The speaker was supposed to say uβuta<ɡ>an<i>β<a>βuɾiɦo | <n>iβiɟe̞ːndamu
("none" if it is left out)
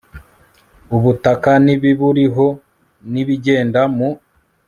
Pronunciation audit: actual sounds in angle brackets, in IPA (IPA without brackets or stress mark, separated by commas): k, i, i, n